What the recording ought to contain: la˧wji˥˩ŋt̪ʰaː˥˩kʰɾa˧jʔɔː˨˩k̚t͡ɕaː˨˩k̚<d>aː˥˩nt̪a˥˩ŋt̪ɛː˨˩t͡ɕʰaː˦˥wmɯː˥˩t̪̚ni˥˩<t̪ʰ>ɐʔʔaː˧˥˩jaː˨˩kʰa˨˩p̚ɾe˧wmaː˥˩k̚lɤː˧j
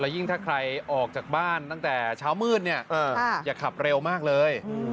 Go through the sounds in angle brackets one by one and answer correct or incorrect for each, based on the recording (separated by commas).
incorrect, incorrect